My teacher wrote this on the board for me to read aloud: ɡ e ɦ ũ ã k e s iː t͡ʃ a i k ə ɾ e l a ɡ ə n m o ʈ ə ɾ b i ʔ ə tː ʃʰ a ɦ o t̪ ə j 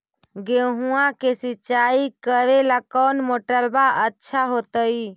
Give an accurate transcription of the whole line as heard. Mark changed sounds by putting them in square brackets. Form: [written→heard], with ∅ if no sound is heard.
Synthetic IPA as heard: ɡ e ɦ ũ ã k e s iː t͡ʃ a i k ə ɾ e l a [ɡ→k] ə n m o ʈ ə ɾ b [i→a] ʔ ə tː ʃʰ a ɦ o t̪ ə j